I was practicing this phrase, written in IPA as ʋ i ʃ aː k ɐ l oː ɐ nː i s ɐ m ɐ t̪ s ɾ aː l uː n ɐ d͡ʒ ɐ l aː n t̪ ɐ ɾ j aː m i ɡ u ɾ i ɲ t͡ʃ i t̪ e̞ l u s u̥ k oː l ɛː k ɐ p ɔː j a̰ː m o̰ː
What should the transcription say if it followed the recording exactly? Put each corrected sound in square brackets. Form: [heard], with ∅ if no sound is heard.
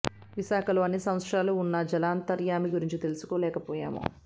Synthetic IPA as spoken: ʋ i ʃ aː k ɐ l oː ɐ nː i s ɐ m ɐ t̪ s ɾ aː l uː [nː] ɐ d͡ʒ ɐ l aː n t̪ ɐ ɾ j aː m i ɡ u ɾ i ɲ t͡ʃ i t̪ e̞ l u s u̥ k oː l ɛː k ɐ p ɔː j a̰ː m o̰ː